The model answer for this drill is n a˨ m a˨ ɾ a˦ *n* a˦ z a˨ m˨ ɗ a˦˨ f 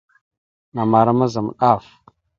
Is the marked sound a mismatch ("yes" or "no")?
yes